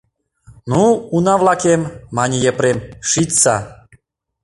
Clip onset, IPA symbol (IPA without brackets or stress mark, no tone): n